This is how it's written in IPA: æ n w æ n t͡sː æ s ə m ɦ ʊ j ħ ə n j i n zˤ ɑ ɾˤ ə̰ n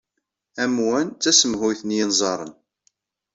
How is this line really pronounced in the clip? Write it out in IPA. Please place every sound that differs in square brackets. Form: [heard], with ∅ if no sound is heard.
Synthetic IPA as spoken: æ [m] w æ n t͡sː æ s ə m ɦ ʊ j [θ] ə n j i n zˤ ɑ ɾˤ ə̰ n